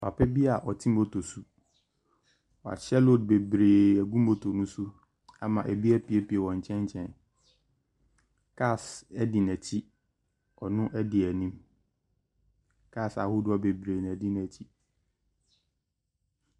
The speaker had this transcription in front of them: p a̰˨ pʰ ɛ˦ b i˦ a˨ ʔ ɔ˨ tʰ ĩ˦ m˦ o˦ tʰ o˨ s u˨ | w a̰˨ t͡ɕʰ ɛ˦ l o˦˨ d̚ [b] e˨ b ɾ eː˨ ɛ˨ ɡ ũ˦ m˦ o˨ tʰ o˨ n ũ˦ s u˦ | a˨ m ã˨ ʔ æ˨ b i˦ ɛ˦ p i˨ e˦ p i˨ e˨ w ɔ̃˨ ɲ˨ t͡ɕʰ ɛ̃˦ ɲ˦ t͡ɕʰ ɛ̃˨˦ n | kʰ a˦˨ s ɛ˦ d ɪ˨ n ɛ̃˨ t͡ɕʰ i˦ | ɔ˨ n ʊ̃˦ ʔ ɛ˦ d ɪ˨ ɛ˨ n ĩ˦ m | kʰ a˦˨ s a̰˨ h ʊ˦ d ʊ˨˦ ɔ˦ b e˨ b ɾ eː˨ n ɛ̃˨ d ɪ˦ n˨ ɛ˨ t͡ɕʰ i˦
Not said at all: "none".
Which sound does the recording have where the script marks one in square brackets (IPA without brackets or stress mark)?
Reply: b